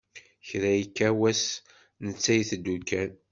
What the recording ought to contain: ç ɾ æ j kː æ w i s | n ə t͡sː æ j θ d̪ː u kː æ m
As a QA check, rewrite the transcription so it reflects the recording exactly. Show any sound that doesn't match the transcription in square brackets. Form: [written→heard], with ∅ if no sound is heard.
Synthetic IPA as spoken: ç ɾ æ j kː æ w [i→æ] s | n ə t͡sː æ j θ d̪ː u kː æ [m→n]